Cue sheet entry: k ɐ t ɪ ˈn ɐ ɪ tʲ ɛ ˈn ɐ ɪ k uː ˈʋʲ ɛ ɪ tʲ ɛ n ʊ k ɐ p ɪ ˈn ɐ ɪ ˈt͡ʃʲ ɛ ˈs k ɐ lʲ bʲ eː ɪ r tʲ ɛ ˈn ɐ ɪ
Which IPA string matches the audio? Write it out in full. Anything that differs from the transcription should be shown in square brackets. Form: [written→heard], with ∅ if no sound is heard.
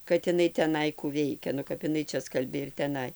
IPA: k ɐ t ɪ ˈn ɐ ɪ tʲ ɛ ˈn ɐ ɪ k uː ˈʋʲ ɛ ɪ [tʲ→kʲ] ɛ n ʊ k ɐ p ɪ ˈn ɐ ɪ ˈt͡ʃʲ ɛ ˈs k ɐ lʲ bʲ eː ɪ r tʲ ɛ ˈn ɐ ɪ